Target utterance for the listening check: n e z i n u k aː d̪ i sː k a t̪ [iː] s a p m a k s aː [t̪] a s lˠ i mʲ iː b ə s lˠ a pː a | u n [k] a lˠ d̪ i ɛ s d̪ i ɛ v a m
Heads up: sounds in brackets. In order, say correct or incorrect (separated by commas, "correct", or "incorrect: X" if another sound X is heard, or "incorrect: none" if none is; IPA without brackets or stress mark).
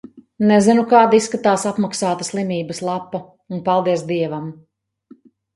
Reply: incorrect: aː, correct, incorrect: p